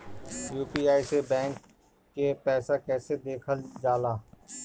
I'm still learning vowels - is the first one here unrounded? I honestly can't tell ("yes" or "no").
no